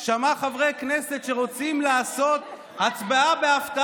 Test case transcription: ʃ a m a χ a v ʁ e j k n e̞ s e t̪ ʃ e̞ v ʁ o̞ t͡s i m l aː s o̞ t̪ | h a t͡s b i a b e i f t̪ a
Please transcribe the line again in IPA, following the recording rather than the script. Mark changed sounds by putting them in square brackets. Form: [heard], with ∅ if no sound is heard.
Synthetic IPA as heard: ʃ a m a χ a v ʁ e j k n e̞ s e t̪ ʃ e̞ [∅] ʁ o̞ t͡s i m l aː s o̞ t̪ | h a t͡s b [a] a b e [a] f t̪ a